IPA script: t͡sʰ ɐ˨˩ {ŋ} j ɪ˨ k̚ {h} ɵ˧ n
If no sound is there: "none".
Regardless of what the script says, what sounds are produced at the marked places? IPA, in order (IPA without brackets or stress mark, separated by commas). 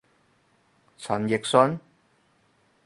n, s